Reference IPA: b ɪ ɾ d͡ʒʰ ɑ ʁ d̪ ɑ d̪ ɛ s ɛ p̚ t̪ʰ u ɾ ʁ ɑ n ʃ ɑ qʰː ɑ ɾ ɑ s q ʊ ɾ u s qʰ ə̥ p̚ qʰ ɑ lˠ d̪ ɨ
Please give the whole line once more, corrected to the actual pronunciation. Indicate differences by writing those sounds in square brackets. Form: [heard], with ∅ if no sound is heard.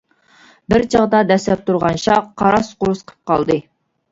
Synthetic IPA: b ɪ ɾ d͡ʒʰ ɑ ʁ d̪ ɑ d̪ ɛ s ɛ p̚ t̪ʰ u ɾ ʁ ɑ n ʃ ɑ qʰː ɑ ɾ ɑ s q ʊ ɾ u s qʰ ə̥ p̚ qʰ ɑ lˠ d̪ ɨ